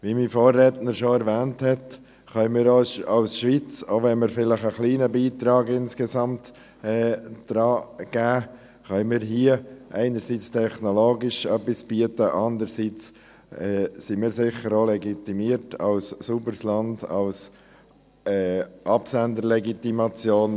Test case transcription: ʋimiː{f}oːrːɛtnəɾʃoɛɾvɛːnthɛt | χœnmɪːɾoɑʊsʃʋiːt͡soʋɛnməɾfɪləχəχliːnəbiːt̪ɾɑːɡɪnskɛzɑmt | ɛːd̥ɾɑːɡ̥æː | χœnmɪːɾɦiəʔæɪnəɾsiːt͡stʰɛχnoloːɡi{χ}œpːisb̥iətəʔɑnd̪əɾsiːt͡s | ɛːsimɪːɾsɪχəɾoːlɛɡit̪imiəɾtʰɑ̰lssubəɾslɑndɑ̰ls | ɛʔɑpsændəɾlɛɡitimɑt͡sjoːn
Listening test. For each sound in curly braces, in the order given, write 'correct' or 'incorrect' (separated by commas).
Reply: correct, incorrect